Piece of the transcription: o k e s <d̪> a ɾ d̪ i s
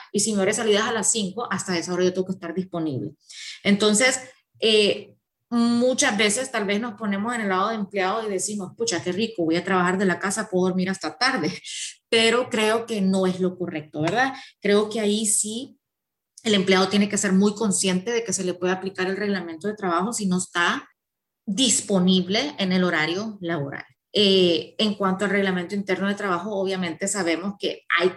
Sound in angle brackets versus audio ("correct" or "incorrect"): incorrect